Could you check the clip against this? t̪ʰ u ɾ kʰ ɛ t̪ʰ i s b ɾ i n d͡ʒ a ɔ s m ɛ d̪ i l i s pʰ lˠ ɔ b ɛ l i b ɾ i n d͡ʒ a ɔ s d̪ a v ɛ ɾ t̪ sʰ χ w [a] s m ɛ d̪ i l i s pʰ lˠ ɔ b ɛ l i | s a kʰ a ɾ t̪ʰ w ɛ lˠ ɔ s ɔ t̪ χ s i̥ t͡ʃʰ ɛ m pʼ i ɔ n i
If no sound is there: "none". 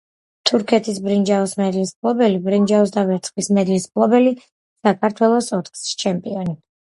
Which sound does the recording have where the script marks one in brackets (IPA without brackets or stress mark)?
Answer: i